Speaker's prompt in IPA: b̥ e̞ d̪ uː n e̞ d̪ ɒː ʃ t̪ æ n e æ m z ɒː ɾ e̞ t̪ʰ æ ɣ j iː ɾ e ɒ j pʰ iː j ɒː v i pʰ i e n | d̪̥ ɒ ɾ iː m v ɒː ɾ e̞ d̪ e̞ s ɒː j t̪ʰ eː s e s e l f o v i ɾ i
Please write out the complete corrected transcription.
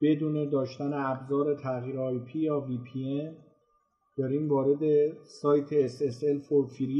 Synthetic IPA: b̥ e̞ d̪ uː n e̞ d̪ ɒː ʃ t̪ æ n e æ b z ɒː ɾ e̞ t̪ʰ æ ɣ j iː ɾ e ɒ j pʰ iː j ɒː v i pʰ i e n | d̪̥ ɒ ɾ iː m v ɒː ɾ e̞ d̪ e̞ s ɒː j t̪ʰ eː s e s e l f o f i ɾ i